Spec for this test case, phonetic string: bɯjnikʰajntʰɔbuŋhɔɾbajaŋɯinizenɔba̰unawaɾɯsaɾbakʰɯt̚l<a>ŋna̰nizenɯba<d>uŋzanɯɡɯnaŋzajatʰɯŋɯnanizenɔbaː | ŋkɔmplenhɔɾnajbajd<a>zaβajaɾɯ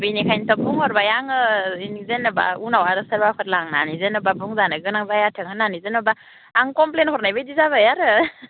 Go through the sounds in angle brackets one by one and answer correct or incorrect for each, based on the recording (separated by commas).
correct, incorrect, incorrect